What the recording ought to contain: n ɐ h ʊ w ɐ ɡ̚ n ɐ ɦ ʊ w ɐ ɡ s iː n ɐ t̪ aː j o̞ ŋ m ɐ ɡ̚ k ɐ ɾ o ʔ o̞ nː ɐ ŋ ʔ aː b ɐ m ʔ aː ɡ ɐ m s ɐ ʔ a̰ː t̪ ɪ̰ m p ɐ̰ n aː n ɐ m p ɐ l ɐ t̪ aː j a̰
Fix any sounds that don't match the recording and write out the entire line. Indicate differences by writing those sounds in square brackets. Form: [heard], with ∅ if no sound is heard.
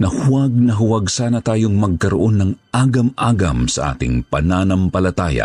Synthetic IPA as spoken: n ɐ h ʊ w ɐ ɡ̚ n ɐ ɦ ʊ w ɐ ɡ s [aː] n ɐ t̪ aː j o̞ ŋ m ɐ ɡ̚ k ɐ ɾ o ʔ o̞ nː ɐ ŋ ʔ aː [ɡ] ɐ m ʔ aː ɡ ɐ m s ɐ ʔ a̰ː t̪ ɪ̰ [ŋ] p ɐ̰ n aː n ɐ m p ɐ l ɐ t̪ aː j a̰